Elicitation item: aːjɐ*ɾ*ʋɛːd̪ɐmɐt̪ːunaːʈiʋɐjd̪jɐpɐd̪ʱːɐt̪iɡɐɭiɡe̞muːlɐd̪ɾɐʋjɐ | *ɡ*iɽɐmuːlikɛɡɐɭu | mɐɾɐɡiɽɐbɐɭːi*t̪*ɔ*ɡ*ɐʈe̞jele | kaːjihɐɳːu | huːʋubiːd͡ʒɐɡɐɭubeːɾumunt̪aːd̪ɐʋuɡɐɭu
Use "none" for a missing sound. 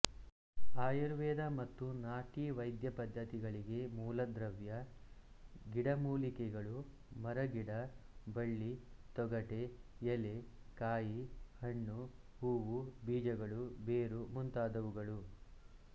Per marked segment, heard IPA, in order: ɾ, ɡ, t̪, ɡ

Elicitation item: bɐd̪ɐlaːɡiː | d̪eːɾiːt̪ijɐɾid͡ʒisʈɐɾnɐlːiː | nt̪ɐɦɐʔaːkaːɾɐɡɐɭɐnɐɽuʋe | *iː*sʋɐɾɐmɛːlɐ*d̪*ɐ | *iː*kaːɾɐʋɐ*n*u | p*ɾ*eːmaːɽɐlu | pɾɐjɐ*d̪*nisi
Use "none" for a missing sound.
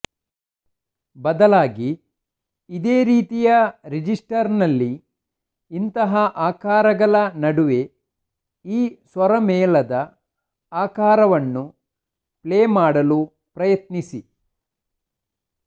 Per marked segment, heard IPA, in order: iː, d̪, aː, nː, l, t̪

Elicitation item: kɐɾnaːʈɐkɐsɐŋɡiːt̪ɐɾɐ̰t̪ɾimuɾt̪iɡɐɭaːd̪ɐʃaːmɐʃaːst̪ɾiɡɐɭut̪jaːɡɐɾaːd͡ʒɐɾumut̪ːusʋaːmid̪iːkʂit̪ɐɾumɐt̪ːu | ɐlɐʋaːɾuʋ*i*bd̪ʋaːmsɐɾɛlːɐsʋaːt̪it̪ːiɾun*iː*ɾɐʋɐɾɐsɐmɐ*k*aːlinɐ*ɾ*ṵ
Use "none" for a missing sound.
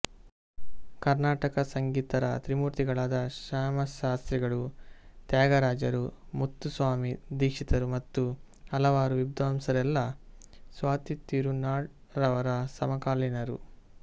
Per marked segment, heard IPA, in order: i, aː, k, ɾ

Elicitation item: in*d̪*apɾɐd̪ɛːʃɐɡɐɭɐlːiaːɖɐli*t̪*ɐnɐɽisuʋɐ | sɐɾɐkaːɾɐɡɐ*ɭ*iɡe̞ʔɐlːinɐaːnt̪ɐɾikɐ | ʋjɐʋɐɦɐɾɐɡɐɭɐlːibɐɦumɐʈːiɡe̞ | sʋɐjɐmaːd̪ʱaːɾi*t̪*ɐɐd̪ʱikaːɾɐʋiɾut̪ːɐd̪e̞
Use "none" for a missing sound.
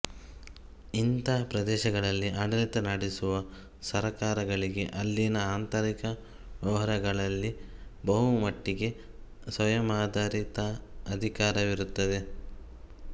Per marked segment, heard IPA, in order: t̪, t̪, ɭ, t̪

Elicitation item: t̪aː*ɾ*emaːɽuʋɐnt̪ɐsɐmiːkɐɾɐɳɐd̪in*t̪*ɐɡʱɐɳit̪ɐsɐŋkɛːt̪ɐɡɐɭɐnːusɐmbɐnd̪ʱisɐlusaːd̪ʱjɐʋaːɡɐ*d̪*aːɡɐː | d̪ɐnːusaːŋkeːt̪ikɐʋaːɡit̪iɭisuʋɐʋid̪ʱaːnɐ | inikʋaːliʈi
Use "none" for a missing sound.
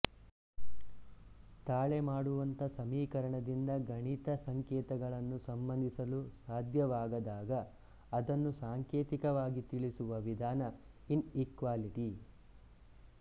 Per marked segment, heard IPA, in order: ɭ, d̪, d̪

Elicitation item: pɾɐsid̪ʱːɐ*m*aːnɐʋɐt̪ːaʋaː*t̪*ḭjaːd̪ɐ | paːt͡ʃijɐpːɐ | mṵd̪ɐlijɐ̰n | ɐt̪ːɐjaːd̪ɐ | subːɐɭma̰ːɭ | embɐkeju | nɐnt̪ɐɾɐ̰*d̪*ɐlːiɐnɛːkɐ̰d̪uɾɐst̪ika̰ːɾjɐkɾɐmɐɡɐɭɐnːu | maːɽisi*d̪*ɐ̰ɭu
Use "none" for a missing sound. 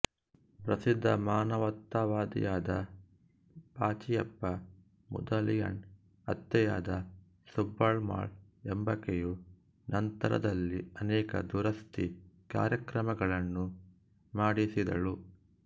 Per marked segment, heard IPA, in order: m, d̪, d̪, d̪

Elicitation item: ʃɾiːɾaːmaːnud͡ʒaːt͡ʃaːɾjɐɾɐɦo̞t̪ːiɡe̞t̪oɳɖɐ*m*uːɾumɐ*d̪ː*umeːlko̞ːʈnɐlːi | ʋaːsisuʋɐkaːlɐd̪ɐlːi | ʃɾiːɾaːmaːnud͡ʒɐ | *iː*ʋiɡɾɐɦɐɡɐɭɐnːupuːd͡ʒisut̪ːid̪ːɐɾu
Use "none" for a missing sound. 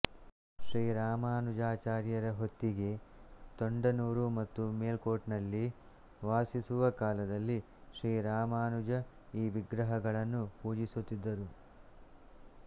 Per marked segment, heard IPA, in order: n, t̪ː, iː

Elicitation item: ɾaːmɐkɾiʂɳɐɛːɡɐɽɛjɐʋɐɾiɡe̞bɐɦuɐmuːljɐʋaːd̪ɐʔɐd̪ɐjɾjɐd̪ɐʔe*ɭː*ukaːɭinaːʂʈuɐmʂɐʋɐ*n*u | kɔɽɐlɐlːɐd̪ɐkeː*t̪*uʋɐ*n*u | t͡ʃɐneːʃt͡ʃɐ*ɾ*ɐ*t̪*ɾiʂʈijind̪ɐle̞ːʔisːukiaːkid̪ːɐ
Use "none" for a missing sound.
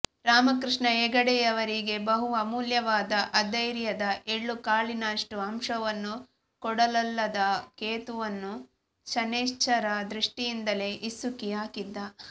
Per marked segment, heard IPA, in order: ɭː, nː, t̪, nː, ɾ, d̪

